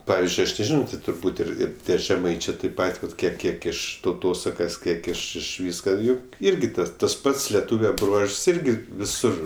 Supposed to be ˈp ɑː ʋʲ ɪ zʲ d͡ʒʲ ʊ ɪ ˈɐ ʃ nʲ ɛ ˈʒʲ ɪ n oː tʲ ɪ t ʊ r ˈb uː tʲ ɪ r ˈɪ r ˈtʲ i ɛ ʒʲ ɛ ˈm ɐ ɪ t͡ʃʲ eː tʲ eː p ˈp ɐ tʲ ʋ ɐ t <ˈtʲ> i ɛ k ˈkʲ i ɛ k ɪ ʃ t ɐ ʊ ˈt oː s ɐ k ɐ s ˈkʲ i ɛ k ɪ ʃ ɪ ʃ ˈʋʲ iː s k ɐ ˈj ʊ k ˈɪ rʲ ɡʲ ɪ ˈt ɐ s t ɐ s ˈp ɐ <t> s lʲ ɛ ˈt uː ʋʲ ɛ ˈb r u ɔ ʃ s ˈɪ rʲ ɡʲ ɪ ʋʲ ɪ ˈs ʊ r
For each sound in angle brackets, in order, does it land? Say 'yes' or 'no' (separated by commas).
no, yes